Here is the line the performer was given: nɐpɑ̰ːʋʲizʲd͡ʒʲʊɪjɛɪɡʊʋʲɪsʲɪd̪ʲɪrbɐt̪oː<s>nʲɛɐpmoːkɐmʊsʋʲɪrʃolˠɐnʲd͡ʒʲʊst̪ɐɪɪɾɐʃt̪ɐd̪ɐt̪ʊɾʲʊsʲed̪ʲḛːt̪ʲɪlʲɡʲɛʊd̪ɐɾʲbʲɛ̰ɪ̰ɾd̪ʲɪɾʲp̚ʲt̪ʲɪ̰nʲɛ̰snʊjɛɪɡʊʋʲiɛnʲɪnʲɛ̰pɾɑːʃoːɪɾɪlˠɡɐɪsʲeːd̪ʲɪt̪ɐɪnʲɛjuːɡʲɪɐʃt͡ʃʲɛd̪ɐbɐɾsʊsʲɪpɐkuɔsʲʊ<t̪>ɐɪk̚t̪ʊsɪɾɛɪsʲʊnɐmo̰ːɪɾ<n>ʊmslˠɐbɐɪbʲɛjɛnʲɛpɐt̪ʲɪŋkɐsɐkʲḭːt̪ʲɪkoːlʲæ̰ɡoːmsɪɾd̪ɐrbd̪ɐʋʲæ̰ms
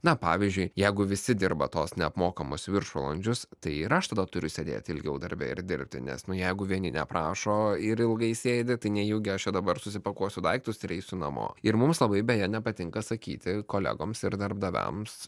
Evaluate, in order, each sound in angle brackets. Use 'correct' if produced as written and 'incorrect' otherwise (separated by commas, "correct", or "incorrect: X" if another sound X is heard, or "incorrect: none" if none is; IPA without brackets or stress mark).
correct, incorrect: d̪, incorrect: m